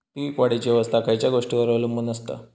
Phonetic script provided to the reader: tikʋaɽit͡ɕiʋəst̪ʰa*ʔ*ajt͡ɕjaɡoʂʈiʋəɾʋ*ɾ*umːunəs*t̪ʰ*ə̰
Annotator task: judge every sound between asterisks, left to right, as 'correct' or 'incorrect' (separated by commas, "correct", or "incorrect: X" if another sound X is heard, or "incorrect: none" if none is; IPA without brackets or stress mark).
incorrect: k, incorrect: l, incorrect: t̪